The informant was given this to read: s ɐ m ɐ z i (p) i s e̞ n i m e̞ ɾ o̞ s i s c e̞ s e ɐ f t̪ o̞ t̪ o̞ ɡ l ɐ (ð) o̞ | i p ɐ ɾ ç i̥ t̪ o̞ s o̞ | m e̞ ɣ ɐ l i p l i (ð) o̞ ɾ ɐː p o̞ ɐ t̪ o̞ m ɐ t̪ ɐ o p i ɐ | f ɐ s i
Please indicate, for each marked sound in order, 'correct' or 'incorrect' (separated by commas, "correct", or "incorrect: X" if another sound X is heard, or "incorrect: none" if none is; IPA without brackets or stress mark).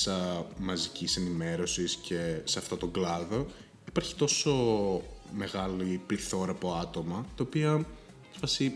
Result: incorrect: c, correct, incorrect: θ